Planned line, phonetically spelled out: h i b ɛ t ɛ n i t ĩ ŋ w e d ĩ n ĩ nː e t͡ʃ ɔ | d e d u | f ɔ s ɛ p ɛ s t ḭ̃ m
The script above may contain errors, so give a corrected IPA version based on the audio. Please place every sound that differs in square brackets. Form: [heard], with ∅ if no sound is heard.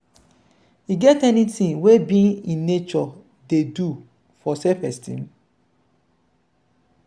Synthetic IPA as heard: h i [ɡ] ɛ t ɛ n i t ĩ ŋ w e [b] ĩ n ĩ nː e t͡ʃ ɔ | d e d u | f ɔ s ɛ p ɛ s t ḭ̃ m